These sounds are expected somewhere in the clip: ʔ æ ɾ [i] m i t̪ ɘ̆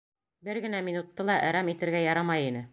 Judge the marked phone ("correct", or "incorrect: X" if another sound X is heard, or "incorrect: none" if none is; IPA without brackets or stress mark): incorrect: æ